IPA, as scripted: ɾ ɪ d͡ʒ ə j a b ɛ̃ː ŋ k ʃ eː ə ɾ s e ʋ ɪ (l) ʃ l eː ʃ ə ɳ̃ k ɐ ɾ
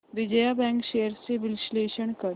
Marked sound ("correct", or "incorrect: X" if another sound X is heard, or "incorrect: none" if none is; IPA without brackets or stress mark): correct